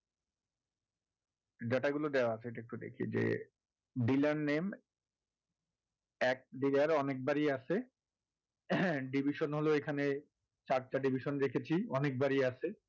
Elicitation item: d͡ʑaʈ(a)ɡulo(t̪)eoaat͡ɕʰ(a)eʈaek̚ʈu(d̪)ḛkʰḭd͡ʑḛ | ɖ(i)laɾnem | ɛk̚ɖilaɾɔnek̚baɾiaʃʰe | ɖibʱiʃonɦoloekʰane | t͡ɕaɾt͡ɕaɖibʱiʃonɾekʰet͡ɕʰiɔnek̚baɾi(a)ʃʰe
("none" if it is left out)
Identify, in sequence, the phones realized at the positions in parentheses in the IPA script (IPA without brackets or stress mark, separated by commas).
a, d̪, e, d̪, i, a